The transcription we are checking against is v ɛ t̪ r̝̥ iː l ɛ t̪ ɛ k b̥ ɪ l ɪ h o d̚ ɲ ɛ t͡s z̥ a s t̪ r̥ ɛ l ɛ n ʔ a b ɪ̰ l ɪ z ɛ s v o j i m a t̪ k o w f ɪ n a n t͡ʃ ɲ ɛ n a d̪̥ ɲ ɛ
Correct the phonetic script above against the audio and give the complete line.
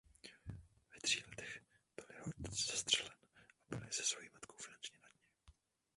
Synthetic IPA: v ɛ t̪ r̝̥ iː l ɛ t̪ ɛ x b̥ ɪ l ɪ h o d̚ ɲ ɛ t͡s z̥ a s t̪ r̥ ɛ l ɛ n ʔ a b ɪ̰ l ɪ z ɛ s v o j i m a t̪ k o w f ɪ n a n t͡ʃ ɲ ɛ n a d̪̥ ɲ ɛ